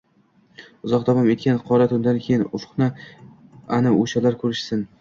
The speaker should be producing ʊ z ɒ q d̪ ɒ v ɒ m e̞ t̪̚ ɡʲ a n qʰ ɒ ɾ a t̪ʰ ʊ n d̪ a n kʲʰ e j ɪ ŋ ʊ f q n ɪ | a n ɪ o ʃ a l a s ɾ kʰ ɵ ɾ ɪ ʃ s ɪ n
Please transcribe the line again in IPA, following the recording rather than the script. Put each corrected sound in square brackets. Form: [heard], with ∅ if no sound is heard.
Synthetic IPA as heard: ʊ z ɒ q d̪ ɒ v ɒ m e̞ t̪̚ [kʲ] a n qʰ ɒ ɾ a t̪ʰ ʊ n d̪ a n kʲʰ e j ɪ [n] ʊ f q n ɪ | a n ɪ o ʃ a l a [∅] ɾ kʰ ɵ ɾ ɪ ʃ s ɪ n